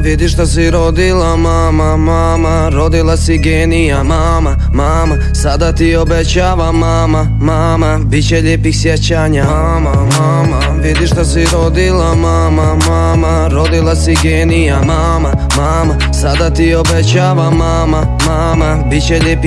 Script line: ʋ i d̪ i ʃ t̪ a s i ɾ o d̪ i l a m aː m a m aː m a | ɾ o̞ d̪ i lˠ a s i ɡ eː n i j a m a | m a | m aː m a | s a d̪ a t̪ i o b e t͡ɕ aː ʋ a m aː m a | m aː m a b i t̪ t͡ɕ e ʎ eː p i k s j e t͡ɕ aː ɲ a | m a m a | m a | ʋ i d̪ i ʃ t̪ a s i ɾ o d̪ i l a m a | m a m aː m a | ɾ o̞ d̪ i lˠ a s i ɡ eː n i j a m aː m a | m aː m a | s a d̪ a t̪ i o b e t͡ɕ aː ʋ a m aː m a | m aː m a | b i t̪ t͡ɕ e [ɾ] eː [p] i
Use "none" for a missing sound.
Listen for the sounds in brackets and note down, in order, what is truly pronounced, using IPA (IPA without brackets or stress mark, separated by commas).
ʎ, p